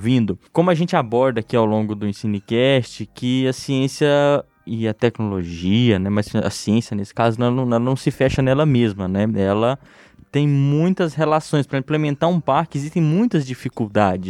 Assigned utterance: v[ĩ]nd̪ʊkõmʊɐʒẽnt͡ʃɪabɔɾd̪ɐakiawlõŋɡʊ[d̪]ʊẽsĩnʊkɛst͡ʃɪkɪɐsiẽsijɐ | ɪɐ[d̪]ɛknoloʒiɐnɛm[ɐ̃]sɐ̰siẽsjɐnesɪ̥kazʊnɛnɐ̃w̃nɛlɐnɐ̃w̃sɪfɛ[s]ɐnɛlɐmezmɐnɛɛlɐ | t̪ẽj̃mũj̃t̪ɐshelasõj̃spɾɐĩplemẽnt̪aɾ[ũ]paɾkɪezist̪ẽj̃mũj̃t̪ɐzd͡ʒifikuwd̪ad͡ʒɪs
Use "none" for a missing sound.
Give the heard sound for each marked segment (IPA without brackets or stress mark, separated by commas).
ĩ, d̪, t̪, ɐ, ʃ, ũ